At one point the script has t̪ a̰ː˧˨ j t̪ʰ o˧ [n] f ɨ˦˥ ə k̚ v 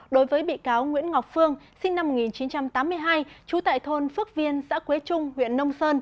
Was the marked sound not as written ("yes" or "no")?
no